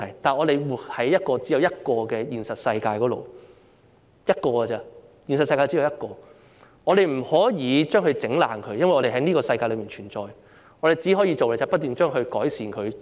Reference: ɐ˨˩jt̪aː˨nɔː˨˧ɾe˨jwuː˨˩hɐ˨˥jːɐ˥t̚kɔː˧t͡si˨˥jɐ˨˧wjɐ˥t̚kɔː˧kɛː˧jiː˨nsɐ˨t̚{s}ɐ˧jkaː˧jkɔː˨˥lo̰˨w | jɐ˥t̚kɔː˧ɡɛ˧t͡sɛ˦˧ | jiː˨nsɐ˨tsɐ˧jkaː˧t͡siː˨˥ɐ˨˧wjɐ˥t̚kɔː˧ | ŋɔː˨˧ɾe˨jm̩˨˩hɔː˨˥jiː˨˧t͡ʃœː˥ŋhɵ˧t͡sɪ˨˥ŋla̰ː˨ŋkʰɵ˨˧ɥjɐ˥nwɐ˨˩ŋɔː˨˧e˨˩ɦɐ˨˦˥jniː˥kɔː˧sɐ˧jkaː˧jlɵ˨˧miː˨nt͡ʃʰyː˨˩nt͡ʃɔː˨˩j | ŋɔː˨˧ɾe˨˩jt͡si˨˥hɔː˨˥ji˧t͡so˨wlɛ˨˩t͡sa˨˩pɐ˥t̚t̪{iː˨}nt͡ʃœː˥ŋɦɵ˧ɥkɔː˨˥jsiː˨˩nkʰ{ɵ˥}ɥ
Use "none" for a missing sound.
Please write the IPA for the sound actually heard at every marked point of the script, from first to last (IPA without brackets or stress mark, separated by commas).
s, yː˨, ɵ˨˧